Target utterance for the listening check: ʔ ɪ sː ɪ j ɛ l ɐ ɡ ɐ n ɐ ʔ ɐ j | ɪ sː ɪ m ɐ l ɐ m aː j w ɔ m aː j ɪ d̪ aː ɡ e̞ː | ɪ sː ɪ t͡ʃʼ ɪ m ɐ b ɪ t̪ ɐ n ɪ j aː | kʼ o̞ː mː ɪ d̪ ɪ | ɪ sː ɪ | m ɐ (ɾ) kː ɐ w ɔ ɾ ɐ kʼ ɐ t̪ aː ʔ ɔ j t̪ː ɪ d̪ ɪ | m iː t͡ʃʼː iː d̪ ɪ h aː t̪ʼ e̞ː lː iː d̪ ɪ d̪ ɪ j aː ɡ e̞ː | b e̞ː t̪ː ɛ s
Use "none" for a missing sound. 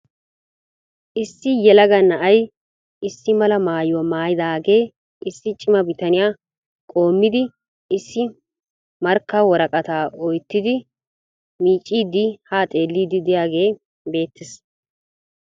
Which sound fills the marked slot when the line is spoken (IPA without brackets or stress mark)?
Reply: ɾ